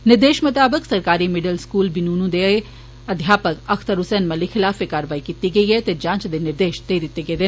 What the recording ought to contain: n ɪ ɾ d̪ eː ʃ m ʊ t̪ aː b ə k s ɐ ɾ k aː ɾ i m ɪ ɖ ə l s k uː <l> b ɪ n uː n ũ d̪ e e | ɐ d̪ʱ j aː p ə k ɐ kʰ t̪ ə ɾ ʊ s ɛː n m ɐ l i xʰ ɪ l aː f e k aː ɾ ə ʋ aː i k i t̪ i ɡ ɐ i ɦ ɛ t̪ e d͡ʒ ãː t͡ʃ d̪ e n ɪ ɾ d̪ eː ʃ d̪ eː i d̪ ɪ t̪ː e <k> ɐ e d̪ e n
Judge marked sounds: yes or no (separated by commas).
yes, no